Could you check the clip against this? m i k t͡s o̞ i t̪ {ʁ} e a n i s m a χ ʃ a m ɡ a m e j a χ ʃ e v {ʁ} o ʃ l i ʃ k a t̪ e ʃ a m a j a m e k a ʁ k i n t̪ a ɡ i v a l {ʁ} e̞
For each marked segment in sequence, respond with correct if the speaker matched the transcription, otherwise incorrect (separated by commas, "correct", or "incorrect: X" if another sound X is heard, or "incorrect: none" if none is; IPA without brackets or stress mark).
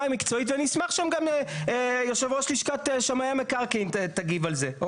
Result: incorrect: v, correct, incorrect: z